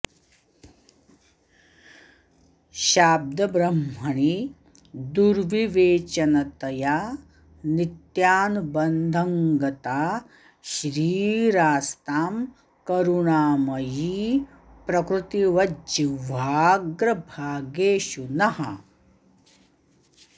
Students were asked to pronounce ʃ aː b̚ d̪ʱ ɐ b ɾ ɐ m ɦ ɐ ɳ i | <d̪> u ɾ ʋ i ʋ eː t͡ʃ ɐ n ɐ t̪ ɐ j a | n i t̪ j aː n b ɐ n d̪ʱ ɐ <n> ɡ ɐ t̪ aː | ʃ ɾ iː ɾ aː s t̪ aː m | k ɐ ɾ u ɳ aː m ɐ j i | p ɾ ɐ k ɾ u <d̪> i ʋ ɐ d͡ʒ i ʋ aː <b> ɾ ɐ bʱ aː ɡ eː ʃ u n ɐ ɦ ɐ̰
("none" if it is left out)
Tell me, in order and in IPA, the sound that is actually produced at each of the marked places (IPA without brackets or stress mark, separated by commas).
d̪, ŋ, t̪, ɡ